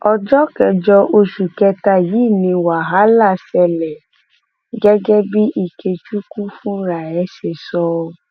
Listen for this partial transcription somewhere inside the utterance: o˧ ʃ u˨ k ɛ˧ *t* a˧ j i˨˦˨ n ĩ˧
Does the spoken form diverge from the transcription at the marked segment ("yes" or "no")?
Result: no